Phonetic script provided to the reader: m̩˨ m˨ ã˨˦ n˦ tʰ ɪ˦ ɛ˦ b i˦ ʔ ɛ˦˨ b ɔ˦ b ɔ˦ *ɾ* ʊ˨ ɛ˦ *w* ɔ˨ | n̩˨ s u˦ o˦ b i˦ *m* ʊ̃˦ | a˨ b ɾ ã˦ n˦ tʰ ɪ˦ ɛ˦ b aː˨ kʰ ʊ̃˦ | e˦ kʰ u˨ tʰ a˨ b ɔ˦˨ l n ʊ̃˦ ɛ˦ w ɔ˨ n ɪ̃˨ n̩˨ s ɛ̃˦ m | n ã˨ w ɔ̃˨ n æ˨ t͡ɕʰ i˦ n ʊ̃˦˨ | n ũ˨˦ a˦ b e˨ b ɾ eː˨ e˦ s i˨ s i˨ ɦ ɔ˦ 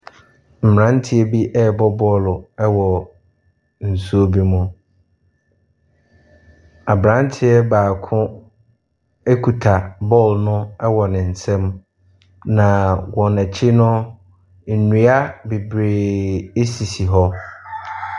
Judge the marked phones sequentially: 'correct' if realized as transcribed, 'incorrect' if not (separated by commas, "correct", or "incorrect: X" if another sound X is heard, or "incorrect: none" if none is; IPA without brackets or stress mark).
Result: incorrect: l, correct, correct